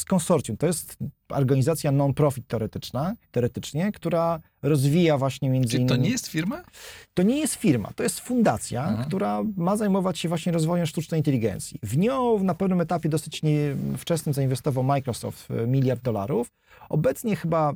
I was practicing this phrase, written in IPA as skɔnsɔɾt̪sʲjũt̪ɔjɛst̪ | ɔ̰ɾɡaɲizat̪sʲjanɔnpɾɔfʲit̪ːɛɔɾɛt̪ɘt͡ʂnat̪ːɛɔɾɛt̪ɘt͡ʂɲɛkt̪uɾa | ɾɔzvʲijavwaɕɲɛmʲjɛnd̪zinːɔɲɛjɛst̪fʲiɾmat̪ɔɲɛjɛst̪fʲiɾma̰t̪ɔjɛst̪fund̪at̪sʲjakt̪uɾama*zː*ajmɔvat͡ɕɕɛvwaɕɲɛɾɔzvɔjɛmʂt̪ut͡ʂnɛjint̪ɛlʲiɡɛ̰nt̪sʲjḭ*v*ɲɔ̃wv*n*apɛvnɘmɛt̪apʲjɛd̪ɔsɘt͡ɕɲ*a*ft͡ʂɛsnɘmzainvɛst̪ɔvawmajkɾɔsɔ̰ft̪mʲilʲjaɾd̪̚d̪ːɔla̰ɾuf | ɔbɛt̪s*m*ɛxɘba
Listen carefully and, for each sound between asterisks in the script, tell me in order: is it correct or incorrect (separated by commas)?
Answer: incorrect, correct, correct, incorrect, incorrect